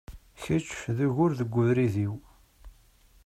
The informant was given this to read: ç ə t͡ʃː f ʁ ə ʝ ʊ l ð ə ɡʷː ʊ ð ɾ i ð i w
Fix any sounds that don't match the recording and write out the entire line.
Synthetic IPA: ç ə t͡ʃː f ð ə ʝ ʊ ɾ ð ə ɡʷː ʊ ð ɾ i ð i w